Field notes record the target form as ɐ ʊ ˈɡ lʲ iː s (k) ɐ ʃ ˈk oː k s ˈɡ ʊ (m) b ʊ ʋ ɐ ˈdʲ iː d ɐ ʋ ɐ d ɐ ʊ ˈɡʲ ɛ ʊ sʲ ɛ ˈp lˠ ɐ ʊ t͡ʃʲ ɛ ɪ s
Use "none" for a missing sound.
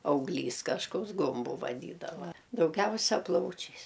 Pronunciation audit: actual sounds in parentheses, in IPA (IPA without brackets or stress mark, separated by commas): k, m